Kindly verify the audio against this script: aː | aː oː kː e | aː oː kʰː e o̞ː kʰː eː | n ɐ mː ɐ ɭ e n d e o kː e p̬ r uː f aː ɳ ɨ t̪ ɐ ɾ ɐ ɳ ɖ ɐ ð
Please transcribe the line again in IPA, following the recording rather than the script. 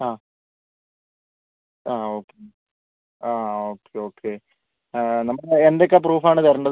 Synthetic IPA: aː | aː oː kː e | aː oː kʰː e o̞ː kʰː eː | n ɐ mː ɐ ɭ e n d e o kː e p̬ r uː f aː ɳ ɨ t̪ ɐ ɾ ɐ ɳ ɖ ɐ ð

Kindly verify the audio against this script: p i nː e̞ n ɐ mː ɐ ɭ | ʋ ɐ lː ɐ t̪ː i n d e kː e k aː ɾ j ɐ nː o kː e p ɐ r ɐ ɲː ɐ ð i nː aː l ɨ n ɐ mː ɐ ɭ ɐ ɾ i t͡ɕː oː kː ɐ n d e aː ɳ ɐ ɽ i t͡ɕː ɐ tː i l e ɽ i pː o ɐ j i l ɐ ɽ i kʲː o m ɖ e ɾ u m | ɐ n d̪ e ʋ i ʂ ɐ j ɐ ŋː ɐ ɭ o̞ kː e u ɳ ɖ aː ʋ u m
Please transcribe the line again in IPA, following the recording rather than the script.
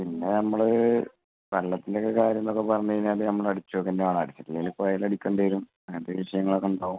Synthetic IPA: p i nː e̞ n ɐ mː ɐ ɭ | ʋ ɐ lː ɐ t̪ː i n d e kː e k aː ɾ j ɐ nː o kː e p ɐ r ɐ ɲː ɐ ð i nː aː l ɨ n ɐ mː ɐ ɭ ɐ ɽ i t͡ɕː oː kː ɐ n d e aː ɳ ɐ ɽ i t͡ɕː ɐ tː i l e l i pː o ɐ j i l ɐ ɽ i kʲː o ɳ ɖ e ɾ u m | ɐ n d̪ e ʋ i ʂ ɐ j ɐ ŋː ɐ ɭ o̞ kː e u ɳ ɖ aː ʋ u m

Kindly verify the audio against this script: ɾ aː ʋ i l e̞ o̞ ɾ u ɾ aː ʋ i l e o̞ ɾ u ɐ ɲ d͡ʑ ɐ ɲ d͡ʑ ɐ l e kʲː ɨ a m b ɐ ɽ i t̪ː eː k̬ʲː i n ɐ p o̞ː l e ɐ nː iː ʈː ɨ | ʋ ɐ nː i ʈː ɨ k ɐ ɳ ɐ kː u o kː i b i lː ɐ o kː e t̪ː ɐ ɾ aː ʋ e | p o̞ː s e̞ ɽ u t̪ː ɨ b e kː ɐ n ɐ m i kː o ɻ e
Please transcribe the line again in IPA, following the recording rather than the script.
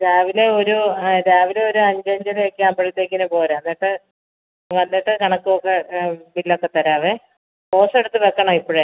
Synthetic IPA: ɾ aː ʋ i l e̞ o̞ ɾ u ɾ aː ʋ i l e o̞ ɾ u ɐ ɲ d͡ʑ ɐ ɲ d͡ʑ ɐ l e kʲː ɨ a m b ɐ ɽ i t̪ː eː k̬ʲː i n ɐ p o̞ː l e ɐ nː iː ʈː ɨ | ʋ ɐ nː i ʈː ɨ k ɐ ɳ ɐ kː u o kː e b i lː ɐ o kː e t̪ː ɐ ɾ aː ʋ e | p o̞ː s e̞ ɽ u t̪ː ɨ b e kː ɐ ɳ ɐ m i pː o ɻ e

